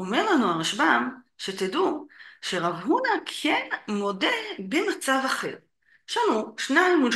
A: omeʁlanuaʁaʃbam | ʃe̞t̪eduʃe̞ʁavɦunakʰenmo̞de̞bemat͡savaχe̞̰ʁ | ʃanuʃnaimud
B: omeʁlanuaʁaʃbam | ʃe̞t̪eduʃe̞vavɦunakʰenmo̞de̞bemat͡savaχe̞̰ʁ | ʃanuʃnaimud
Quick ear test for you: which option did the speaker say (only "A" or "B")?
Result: A